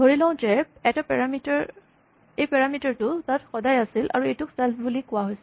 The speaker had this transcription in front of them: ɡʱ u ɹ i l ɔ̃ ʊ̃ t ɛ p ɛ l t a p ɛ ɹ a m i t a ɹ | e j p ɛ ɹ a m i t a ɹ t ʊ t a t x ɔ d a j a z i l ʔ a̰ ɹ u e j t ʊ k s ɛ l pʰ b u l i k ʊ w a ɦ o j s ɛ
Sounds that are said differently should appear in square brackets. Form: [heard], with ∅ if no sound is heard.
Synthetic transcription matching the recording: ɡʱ [o] ɹ i l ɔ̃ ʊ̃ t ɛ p ɛ [∅] t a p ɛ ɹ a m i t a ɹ | e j p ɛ ɹ a m i t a ɹ t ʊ t a t x ɔ d a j a [s] i l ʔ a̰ ɹ u e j t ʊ k s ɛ l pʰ b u l i k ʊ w a ɦ o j s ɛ